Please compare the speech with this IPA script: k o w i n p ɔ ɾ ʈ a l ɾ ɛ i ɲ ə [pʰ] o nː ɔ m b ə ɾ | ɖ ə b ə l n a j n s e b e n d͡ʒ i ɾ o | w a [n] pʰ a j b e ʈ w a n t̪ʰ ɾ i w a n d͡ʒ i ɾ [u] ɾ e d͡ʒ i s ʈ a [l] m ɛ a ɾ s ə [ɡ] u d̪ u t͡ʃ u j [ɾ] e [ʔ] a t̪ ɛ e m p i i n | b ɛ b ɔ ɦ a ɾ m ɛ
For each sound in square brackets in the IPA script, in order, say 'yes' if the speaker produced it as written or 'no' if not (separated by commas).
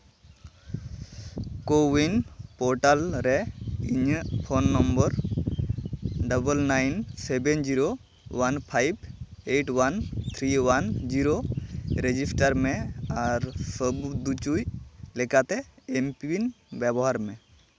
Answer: yes, yes, no, no, no, no, no